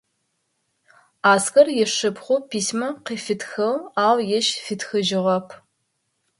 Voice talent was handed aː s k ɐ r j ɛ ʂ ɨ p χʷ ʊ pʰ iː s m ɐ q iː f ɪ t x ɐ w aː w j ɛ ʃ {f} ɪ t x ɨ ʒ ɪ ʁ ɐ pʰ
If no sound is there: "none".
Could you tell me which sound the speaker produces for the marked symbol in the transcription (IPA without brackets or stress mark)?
f